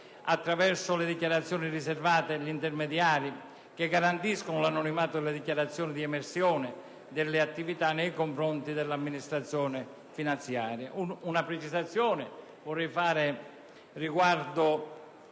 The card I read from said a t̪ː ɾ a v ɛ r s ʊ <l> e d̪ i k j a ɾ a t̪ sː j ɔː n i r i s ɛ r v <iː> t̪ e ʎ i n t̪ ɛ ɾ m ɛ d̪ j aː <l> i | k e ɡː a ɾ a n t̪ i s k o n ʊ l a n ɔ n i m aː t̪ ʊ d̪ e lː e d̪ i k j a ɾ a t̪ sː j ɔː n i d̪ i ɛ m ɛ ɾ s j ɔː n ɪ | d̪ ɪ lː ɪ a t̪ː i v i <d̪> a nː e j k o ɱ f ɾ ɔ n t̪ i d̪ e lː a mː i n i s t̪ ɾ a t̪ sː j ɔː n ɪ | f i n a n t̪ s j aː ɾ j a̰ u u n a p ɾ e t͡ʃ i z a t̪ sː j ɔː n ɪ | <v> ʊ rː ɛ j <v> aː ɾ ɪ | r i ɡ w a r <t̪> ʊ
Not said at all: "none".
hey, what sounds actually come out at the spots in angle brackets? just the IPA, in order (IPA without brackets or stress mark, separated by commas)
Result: l, aː, ɾ, t̪, v, f, d̪